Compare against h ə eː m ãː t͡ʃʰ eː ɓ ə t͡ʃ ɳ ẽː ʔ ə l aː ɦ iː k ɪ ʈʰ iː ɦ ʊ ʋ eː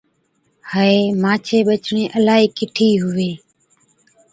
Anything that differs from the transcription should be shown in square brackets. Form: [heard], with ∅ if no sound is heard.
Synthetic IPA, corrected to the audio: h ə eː m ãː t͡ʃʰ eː ɓ ə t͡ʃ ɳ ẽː ʔ ə l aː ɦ iː k ɪ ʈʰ iː ɦ ʊ ʋ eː